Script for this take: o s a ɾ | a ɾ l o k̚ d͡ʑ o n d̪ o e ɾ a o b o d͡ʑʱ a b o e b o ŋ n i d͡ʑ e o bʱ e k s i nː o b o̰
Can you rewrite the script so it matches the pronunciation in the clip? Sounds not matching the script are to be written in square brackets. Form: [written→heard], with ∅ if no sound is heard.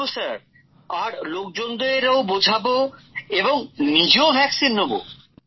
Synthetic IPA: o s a ɾ | a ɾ l o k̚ d͡ʑ o n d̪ o e ɾ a o b o d͡ʑʱ a b o e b o ŋ n i d͡ʑ e o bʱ [e→ɛ] k s i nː o b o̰